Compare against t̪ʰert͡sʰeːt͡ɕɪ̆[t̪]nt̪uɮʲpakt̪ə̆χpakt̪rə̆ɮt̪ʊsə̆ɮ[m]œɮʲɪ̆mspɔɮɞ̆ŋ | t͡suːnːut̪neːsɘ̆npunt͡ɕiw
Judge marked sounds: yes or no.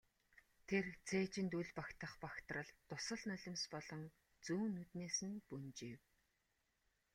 no, no

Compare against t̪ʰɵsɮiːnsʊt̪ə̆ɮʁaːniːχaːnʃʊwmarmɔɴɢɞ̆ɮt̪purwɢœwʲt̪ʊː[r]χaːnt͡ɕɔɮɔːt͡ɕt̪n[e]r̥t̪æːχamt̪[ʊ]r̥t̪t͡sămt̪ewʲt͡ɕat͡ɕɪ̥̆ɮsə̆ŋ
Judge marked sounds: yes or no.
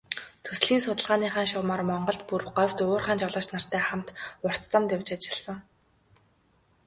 yes, no, yes

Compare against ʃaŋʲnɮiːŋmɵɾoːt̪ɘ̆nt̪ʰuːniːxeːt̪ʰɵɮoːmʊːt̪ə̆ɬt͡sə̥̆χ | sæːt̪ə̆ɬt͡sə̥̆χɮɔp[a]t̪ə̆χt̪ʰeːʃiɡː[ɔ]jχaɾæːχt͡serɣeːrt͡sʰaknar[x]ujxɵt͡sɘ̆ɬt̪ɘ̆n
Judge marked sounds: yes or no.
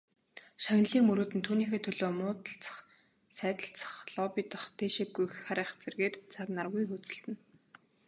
no, no, no

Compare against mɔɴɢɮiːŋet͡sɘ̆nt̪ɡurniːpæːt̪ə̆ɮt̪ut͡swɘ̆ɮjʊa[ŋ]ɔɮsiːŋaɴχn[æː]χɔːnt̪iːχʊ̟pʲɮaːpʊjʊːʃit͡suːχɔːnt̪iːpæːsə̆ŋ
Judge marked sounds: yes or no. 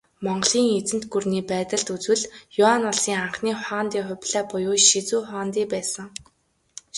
no, no

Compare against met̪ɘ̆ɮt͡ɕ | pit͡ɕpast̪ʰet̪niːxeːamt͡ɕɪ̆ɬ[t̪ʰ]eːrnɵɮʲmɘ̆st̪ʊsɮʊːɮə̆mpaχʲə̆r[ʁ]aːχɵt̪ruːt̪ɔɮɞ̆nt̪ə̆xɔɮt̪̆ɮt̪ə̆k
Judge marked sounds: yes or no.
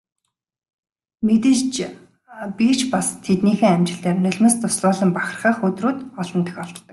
no, no

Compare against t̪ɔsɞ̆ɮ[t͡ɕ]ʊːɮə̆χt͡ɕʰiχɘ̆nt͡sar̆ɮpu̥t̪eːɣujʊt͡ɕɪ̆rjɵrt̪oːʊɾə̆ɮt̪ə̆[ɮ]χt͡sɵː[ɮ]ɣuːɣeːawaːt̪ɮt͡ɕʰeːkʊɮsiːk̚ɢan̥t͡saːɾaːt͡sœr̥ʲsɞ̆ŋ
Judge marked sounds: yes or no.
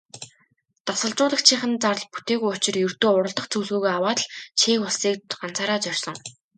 yes, no, yes

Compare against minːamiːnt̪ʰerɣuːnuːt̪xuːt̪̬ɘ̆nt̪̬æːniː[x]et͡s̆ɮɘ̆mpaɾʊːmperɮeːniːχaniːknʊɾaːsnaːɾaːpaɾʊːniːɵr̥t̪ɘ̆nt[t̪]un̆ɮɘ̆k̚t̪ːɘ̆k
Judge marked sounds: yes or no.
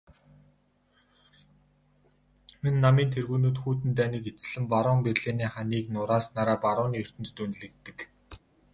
no, yes

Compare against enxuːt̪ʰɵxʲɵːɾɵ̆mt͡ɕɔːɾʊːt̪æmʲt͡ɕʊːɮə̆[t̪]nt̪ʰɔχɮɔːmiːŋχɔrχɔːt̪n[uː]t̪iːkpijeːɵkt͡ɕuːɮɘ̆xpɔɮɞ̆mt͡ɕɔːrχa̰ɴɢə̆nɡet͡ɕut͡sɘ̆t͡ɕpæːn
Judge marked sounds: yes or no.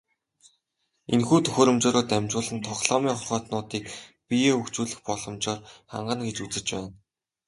no, no

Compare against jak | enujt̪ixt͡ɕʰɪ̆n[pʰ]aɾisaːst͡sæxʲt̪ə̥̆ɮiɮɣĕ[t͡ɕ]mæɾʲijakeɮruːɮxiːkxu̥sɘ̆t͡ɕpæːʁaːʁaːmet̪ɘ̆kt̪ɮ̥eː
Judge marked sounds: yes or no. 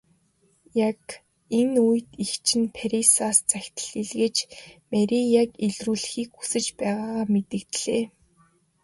yes, yes

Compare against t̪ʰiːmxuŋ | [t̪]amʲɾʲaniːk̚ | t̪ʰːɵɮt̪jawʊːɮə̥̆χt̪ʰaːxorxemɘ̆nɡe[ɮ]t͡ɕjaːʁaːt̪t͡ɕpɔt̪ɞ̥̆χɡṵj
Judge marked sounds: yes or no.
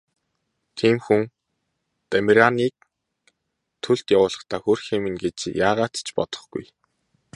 yes, no

